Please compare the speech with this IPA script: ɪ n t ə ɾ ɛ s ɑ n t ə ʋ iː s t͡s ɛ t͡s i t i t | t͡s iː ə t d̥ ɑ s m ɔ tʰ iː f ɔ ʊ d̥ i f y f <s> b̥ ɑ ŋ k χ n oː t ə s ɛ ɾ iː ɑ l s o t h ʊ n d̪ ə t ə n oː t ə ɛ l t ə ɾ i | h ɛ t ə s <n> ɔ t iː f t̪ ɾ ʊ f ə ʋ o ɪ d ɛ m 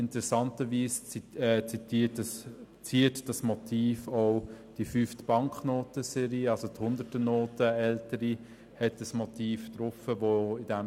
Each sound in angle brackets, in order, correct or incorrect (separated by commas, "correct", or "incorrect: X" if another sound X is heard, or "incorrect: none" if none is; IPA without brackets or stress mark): incorrect: t, incorrect: m